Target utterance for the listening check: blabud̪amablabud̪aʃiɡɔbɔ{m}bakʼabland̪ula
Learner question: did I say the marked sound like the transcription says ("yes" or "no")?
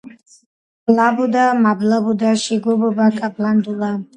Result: no